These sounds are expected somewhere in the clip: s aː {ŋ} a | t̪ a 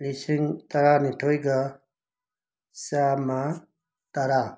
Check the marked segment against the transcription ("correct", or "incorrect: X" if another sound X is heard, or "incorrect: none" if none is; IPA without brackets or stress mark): incorrect: m